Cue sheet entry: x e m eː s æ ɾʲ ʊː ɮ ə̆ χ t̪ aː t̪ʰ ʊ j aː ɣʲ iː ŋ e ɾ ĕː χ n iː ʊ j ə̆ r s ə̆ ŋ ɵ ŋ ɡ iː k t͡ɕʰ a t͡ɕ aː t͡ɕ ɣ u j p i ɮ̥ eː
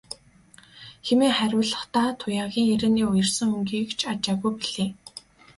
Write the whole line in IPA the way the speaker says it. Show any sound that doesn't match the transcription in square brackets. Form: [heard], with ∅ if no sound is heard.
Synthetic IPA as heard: x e m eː [χ] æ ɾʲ ʊː ɮ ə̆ χ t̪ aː t̪ʰ ʊ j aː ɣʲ iː ŋ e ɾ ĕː [∅] n iː ʊ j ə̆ r s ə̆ ŋ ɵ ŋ ɡ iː k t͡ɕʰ a t͡ɕ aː [∅] ɣ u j p i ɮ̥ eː